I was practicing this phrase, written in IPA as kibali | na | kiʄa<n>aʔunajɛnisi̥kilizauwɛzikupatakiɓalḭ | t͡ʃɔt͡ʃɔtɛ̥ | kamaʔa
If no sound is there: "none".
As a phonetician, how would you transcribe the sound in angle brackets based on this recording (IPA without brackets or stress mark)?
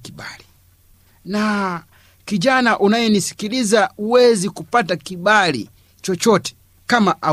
n